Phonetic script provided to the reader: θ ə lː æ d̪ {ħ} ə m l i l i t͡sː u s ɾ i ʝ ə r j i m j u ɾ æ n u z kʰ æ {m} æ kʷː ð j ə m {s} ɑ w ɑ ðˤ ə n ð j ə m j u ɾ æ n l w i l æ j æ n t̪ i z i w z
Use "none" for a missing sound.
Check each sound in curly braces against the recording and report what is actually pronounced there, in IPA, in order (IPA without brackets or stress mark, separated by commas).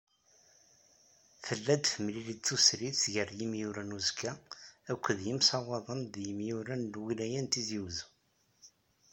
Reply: f, none, s